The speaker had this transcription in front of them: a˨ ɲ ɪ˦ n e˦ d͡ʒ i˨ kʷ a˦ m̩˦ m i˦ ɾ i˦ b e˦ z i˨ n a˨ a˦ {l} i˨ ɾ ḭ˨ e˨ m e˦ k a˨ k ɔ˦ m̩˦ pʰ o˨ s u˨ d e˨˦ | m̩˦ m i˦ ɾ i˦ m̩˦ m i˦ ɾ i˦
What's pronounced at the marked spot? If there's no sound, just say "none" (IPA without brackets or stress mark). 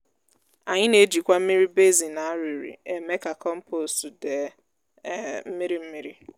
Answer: ɾ